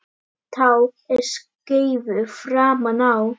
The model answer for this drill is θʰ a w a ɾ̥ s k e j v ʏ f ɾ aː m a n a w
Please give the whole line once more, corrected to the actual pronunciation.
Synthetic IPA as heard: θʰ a w ɛ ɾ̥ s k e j v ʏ f ɾ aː m a n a w